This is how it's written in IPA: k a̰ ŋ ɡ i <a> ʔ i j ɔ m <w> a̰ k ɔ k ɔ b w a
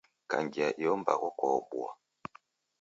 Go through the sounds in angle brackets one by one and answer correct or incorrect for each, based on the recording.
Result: correct, incorrect

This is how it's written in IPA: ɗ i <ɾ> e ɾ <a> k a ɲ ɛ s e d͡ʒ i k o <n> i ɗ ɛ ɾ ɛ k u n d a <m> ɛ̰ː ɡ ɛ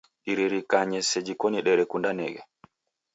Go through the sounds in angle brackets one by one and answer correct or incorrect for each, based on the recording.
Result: correct, incorrect, correct, incorrect

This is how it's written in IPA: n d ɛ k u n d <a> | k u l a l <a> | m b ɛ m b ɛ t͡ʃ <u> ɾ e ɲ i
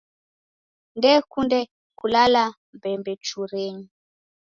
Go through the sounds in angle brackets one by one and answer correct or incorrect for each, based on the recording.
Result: incorrect, correct, correct

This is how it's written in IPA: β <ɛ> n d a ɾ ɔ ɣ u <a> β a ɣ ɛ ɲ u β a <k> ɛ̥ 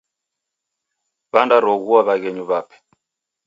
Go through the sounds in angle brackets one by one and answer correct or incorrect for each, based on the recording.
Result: incorrect, correct, incorrect

